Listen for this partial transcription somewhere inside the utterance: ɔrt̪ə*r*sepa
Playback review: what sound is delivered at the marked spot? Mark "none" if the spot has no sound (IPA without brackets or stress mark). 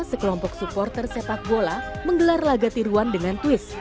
r